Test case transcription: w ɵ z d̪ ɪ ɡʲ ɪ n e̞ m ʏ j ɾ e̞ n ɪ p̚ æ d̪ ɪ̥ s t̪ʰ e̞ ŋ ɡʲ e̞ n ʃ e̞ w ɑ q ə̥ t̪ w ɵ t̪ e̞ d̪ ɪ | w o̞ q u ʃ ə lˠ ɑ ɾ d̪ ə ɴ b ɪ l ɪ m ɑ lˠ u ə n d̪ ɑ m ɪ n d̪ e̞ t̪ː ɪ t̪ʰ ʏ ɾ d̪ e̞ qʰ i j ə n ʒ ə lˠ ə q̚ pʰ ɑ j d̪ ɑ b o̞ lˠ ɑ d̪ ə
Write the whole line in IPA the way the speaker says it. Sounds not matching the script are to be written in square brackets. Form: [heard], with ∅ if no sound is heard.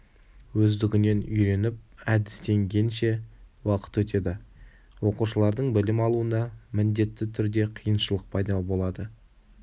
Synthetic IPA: w ɵ z d̪ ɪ ɡʲ ɪ n e̞ [n] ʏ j ɾ e̞ n ɪ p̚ æ d̪ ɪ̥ s [t̪] e̞ ŋ ɡʲ e̞ n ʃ e̞ w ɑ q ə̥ t̪ w ɵ t̪ e̞ d̪ ɪ | w o̞ q u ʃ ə lˠ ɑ ɾ d̪ ə ɴ b ɪ l ɪ m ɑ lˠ u ə n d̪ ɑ m ɪ n d̪ e̞ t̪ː ɪ t̪ʰ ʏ ɾ d̪ e̞ qʰ i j ə n [ʃ] ə lˠ ə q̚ pʰ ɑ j d̪ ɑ b o̞ lˠ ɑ d̪ ə

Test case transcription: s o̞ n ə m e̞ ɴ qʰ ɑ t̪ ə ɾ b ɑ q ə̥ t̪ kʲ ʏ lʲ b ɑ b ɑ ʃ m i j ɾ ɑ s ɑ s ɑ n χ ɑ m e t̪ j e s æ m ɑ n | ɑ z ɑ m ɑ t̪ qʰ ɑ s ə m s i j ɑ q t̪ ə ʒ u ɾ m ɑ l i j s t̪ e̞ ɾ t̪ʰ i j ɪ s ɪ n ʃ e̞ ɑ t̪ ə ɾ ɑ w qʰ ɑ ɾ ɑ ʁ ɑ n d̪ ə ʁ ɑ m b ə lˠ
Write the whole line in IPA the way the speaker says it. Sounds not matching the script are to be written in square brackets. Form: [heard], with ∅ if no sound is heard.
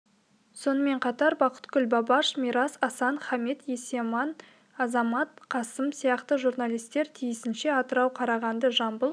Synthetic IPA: s o̞ n ə m e̞ ɴ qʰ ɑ t̪ [ɑ] ɾ b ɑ q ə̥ t̪ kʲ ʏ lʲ b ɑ b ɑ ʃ m i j ɾ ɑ s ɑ s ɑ n χ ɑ m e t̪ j e s [e] m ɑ n | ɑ z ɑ m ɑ t̪ qʰ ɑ s ə m s i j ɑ q t̪ ə ʒ u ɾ [n] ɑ l i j s t̪ e̞ ɾ t̪ʰ i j ɪ s ɪ n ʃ e̞ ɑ t̪ ə ɾ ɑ w qʰ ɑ ɾ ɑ ʁ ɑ n d̪ ə [ʒ] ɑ m b ə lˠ

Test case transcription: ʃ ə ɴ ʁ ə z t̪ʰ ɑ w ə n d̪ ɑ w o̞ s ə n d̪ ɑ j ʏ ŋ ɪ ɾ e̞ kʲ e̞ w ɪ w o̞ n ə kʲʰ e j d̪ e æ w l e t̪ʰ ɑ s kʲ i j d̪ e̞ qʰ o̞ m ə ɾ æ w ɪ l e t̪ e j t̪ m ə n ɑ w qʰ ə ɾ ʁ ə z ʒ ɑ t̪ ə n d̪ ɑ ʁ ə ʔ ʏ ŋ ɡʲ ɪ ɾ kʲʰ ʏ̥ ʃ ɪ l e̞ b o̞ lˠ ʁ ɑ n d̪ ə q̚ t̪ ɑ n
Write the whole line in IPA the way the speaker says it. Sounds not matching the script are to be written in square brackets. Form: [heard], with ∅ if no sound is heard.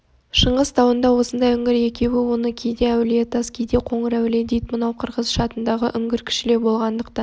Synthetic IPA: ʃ ə ɴ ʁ ə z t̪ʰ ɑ w ə n d̪ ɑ w o̞ s ə n d̪ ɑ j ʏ ŋ ɪ ɾ e̞ kʲ e̞ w ɪ w o̞ n ə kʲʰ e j d̪ e æ w l e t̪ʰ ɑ s kʲ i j d̪ e̞ qʰ o̞ [ɴ] ə ɾ æ w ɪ l e [d̪] e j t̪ m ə n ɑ w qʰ ə ɾ ʁ ə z [ʃ] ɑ t̪ ə n d̪ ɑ ʁ ə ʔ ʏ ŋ ɡʲ ɪ ɾ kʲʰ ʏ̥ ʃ ɪ l e̞ b o̞ lˠ ʁ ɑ n d̪ ə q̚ t̪ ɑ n

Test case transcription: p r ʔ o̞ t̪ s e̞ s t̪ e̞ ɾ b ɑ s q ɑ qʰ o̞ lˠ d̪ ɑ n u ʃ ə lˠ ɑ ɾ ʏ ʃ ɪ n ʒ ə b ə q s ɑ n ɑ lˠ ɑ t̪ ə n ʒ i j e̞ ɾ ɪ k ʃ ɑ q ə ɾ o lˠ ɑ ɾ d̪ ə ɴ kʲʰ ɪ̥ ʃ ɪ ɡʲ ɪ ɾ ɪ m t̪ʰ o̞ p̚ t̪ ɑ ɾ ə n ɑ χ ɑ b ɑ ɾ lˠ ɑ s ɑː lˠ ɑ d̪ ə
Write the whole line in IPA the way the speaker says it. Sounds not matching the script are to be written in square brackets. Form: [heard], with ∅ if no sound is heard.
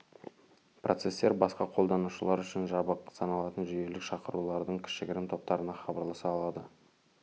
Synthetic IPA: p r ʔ o̞ t̪ s e̞ s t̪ e̞ ɾ b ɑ s q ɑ qʰ o̞ lˠ d̪ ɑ n u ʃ ə lˠ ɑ ɾ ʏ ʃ ɪ n ʒ [ɑ] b ə q s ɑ n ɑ lˠ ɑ t̪ ə n ʒ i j e̞ [l] ɪ k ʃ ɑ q ə ɾ [u] lˠ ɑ ɾ d̪ ə ɴ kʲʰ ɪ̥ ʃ ɪ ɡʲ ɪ ɾ ɪ m t̪ʰ o̞ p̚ t̪ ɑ ɾ ə n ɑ χ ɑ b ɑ ɾ lˠ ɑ s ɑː lˠ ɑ d̪ ə

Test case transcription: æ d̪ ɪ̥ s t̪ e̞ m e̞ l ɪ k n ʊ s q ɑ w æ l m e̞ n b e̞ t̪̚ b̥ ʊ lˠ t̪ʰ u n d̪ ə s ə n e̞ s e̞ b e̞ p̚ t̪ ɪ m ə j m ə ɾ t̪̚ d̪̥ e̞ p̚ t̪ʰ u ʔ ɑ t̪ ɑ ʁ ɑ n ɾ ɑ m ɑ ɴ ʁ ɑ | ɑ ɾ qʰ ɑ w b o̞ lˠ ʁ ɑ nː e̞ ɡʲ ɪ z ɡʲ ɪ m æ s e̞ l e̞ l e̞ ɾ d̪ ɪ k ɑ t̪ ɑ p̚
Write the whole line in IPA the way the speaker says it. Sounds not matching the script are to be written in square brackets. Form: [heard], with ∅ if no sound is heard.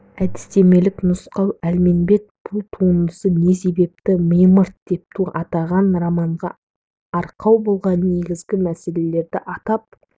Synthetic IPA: æ d̪ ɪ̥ s t̪ e̞ m e̞ l ɪ k n ʊ s q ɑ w æ l m e̞ n b e̞ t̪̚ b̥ ʊ lˠ t̪ʰ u n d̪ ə s ə n e̞ s e̞ b e̞ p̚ t̪ ɪ m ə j m ə ɾ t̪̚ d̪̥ e̞ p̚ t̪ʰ u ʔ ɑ t̪ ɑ ʁ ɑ n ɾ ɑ m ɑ ɴ ʁ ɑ | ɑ ɾ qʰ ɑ w b o̞ lˠ ʁ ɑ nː e̞ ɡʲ ɪ z ɡʲ ɪ m æ s e̞ l e̞ l e̞ ɾ d̪ ɪ [ʔ] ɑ t̪ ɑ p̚

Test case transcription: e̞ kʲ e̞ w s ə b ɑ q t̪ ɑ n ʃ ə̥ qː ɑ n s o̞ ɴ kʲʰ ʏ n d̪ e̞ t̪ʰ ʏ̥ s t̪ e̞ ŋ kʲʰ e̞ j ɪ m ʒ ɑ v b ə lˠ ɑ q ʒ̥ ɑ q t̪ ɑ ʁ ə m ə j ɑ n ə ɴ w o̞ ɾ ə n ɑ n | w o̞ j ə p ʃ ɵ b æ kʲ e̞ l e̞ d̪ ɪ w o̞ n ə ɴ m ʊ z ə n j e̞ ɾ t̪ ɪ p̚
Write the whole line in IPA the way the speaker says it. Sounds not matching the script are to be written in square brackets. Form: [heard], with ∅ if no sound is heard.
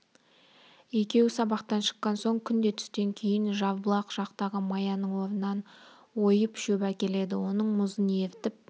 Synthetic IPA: e̞ kʲ e̞ w s [ɑ] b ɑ q t̪ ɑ n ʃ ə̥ qː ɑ n s o̞ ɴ kʲʰ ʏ n d̪ e̞ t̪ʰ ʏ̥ s t̪ e̞ ŋ kʲʰ e̞ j ɪ [n] ʒ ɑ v b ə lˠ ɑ q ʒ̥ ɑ q t̪ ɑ ʁ ə m [ɑ] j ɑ n ə ɴ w o̞ ɾ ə n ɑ n | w o̞ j ə p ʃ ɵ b æ kʲ e̞ l e̞ d̪ ɪ w o̞ n ə ɴ m ʊ z ə n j e̞ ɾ t̪ ɪ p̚

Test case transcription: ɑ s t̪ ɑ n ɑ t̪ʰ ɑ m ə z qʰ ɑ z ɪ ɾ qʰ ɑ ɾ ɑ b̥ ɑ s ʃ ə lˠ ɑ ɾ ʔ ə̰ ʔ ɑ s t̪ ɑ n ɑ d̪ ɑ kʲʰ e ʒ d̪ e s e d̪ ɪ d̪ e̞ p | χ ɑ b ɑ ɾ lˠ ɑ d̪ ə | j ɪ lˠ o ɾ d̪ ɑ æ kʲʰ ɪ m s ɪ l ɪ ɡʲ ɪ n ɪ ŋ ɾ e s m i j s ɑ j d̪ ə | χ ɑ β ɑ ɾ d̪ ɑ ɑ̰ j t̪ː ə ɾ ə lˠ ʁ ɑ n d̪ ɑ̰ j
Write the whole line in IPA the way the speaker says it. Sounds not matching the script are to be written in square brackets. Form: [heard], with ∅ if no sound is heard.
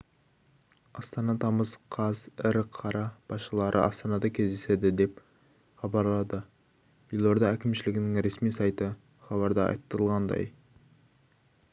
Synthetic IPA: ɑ s t̪ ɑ n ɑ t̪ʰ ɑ m ə z qʰ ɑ z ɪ ɾ qʰ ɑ ɾ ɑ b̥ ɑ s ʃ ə lˠ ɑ ɾ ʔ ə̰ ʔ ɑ s t̪ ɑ n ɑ d̪ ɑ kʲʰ e [z] d̪ e s e d̪ ɪ d̪ e̞ p | χ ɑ b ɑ ɾ lˠ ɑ d̪ ə | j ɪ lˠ o ɾ d̪ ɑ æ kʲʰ ɪ m [ʃ] ɪ l ɪ ɡʲ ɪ n ɪ ŋ ɾ e s m i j s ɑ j [t̪] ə | χ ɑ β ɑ ɾ d̪ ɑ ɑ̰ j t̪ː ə ɾ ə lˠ ʁ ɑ n d̪ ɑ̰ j

